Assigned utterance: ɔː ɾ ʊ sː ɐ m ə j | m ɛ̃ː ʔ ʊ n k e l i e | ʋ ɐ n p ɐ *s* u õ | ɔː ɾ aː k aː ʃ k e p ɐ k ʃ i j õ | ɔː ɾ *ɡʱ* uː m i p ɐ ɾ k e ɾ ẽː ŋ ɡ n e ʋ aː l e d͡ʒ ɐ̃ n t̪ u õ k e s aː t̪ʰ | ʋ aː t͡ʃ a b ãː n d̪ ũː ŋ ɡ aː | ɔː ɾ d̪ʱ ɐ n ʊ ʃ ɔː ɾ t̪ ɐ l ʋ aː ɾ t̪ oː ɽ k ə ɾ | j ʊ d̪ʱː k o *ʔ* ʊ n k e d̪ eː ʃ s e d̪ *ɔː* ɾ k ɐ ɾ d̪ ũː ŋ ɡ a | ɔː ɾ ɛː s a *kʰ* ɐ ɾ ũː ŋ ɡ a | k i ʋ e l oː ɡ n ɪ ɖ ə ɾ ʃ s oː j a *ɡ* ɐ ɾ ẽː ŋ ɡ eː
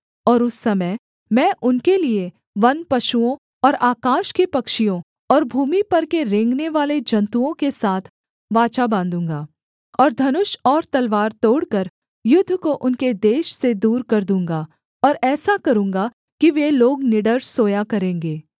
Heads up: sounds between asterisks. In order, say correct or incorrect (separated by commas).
incorrect, incorrect, correct, incorrect, incorrect, incorrect